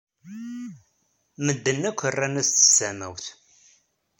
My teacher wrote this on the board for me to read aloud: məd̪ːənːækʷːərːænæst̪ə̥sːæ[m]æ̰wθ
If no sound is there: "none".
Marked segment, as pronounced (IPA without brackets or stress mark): m